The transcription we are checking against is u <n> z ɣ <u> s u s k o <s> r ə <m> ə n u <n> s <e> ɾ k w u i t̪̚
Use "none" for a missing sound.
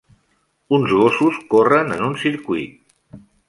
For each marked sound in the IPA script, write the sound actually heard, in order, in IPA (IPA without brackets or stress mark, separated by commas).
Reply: n, o, none, n, n, i